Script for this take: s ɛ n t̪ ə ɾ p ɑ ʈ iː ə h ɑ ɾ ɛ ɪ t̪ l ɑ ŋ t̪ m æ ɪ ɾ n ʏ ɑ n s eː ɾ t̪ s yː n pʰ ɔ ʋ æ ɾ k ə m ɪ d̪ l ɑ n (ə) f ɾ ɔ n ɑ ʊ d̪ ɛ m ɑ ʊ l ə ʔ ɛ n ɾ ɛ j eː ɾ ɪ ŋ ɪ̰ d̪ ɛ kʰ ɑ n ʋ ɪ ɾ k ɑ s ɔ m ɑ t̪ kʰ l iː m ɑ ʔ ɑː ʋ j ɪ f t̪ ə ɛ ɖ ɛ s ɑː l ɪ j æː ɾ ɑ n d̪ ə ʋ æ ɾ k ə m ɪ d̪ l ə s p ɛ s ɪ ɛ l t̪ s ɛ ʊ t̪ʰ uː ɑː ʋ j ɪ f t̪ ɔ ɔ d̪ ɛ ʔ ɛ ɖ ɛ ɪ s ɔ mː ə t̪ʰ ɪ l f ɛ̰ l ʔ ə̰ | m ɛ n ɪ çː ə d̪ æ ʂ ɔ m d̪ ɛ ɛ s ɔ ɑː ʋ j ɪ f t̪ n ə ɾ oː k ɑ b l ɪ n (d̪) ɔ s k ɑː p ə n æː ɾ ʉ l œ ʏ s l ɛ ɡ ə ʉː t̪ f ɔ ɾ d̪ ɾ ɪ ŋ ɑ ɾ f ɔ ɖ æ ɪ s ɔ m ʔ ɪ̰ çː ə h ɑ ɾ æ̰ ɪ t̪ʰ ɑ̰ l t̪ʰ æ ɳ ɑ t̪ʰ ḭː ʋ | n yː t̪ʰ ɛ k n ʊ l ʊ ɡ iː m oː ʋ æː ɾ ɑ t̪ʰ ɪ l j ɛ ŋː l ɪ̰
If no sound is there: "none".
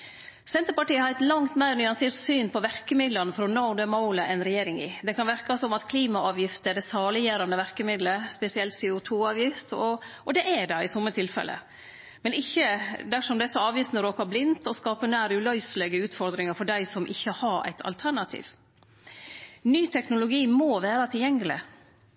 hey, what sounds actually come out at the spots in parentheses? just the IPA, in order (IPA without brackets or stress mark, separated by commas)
ə, t̪